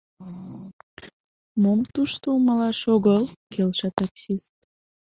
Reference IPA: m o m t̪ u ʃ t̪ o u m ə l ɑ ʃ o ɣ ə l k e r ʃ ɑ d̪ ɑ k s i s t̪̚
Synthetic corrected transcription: m o m t̪ u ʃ t̪ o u m ə l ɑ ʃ o ɣ ə l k e l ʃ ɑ t̪ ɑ k s i s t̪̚